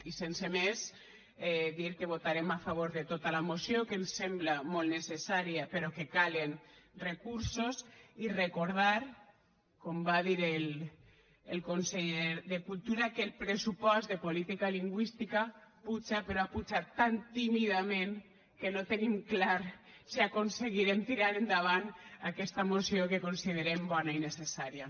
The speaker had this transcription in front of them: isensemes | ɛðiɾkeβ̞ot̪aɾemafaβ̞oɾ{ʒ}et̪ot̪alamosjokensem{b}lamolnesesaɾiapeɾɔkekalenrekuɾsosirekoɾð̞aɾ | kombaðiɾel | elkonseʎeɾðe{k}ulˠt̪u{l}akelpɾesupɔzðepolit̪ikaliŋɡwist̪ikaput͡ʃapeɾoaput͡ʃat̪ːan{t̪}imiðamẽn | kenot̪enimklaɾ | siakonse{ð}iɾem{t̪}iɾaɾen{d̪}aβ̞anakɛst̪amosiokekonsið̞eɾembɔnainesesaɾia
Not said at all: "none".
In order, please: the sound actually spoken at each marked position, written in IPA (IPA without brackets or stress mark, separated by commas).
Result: ð, b, k, ɾ, t̪, ɣ, t̪, d̪